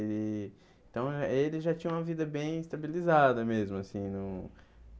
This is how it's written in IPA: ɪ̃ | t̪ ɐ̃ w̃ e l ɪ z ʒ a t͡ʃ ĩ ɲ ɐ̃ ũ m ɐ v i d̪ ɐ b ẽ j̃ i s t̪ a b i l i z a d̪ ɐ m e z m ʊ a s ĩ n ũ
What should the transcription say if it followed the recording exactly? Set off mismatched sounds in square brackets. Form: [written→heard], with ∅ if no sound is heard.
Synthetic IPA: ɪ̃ | t̪ ɐ̃ w̃ e l ɪ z ʒ a t͡ʃ ĩ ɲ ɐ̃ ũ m ɐ v i d̪ ɐ b ẽ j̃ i s t̪ a b i l i z a d̪ ɐ m e z m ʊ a s ĩ n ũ